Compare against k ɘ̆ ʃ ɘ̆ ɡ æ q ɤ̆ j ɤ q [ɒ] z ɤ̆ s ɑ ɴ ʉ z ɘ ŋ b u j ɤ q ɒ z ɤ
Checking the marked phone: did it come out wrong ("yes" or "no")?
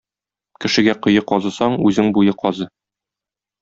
no